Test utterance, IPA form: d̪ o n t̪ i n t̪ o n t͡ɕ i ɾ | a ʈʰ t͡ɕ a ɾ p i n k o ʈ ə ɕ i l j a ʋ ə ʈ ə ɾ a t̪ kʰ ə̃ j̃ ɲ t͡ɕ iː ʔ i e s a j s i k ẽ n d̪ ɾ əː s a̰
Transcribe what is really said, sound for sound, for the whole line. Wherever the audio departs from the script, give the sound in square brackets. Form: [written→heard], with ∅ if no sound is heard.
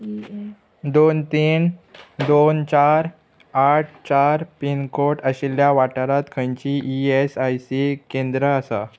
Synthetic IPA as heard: d̪ o n t̪ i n [t̪→d̪] o n t͡ɕ [i→a] ɾ | a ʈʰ t͡ɕ a ɾ p i n k o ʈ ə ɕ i l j a ʋ [ə→a] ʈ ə ɾ a t̪ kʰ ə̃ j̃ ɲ t͡ɕ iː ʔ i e s a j s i k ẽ n d̪ ɾ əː s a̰